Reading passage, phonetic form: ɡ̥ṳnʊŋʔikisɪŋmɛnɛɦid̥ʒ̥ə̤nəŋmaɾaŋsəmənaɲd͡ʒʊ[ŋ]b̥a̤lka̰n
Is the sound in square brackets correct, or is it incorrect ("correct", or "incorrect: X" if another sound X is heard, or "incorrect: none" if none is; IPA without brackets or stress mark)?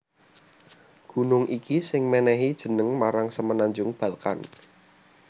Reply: correct